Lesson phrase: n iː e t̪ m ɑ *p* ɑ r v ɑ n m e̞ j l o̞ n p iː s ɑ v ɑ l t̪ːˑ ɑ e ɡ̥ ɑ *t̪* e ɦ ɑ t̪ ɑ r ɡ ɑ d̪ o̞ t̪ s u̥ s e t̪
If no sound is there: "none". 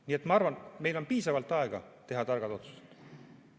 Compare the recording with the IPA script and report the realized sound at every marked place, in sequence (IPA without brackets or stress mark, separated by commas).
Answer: none, t̪